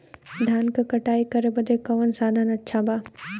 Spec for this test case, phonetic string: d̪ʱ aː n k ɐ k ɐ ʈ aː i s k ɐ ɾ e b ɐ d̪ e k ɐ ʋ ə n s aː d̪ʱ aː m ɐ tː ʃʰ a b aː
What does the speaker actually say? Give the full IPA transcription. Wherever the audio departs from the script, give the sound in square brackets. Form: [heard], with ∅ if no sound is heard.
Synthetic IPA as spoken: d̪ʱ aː n k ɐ k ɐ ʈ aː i [∅] k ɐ ɾ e b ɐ d̪ e k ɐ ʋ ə n s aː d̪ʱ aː [n] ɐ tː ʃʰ a b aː